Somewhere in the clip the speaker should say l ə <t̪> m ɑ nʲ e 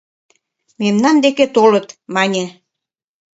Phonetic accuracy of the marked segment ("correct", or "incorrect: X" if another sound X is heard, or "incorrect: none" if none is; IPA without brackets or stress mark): correct